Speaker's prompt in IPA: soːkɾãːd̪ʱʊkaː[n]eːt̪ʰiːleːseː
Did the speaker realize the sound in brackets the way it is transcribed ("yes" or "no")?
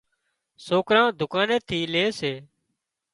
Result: yes